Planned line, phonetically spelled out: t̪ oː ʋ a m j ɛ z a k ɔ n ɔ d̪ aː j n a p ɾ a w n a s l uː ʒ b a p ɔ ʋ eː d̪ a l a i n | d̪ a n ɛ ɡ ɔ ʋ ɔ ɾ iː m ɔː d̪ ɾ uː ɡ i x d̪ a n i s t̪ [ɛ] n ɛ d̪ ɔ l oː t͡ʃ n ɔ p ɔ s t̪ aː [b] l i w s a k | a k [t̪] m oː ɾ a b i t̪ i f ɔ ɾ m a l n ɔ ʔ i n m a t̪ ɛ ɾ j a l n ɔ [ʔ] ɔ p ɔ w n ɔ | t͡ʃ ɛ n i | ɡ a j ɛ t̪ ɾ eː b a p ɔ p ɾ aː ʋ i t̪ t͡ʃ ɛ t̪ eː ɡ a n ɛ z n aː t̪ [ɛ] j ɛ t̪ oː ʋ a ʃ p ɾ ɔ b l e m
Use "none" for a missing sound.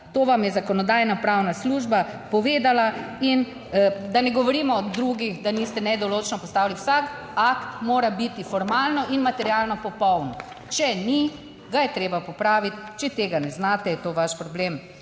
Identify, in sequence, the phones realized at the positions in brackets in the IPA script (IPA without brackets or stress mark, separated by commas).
ɛ, w, t̪, p, ɛ